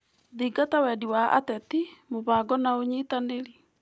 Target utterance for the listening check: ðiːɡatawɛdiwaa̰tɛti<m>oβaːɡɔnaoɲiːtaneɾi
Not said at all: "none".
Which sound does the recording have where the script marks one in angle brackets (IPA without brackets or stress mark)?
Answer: m